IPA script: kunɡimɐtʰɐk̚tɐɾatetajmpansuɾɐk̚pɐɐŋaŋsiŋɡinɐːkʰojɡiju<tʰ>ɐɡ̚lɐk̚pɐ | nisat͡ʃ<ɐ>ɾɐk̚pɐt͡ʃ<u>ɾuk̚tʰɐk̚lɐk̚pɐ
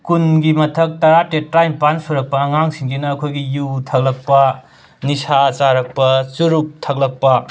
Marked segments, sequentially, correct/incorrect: correct, incorrect: a, correct

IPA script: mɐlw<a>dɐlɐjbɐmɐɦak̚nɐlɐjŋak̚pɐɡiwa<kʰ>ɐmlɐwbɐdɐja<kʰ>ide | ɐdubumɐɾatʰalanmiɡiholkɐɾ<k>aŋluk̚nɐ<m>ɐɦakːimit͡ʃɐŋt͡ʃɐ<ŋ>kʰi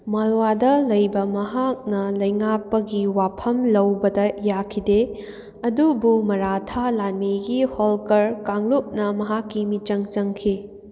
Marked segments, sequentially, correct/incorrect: correct, incorrect: pʰ, correct, correct, correct, correct

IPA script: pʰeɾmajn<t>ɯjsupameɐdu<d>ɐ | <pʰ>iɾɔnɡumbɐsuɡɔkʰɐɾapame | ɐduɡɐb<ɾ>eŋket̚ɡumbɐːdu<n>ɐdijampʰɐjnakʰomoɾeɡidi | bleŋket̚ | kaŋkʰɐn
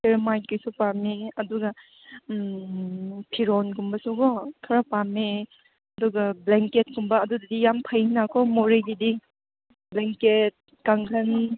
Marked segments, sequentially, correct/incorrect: incorrect: k, incorrect: ɡ, correct, incorrect: l, incorrect: d

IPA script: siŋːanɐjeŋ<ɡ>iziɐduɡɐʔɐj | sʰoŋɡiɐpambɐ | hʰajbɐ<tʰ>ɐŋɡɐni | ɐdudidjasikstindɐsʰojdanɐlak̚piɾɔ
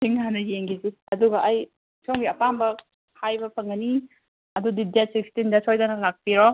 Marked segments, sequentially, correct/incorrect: correct, incorrect: pʰ

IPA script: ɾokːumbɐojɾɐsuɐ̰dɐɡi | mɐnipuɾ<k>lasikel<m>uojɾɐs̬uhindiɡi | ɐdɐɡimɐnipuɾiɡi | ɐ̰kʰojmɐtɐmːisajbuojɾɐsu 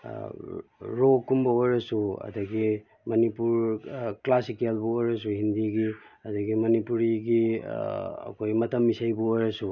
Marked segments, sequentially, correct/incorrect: correct, incorrect: b

